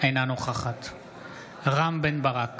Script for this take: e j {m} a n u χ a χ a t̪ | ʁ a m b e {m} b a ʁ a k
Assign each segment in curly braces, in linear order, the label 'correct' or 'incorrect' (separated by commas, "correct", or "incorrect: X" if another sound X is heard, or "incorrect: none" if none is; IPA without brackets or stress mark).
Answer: incorrect: n, incorrect: n